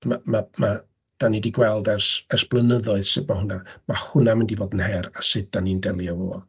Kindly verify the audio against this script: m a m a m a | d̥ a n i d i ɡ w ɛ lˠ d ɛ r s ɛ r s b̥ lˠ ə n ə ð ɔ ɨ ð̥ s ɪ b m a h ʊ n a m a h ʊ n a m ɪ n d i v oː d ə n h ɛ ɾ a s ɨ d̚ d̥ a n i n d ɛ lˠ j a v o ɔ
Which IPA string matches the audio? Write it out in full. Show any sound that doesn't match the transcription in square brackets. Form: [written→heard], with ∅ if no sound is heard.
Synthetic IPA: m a m a m a | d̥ a n i d i ɡ w ɛ lˠ d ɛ r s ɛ r s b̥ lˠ ə n ə ð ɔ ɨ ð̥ s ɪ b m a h ʊ n a m a h ʊ n a m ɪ n d i v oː d ə n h ɛ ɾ a s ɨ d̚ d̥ a n i n d ɛ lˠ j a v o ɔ